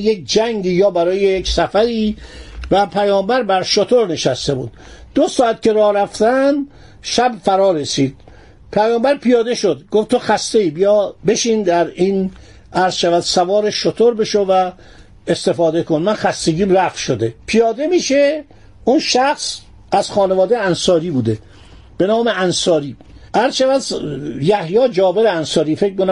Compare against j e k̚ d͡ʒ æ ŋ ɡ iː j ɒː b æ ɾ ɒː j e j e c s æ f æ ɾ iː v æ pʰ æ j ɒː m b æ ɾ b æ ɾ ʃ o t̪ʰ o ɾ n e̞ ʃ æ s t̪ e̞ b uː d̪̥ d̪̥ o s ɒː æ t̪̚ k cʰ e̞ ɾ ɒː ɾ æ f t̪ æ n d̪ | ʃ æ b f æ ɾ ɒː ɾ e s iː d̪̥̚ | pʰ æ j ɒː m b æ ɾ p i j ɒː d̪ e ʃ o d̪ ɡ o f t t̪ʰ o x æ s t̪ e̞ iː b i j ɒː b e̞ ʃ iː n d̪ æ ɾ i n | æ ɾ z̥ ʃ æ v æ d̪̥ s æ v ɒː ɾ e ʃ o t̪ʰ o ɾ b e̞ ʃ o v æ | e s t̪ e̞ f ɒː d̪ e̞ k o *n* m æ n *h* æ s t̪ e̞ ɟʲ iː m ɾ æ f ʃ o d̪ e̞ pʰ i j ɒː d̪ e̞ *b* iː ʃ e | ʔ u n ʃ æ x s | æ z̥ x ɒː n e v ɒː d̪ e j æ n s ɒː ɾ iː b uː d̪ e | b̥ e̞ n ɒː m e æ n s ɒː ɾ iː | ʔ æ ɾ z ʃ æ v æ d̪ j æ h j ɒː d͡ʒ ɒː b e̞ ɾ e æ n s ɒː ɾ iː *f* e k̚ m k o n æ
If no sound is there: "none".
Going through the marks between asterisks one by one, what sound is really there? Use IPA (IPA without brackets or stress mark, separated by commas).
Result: n, x, m, f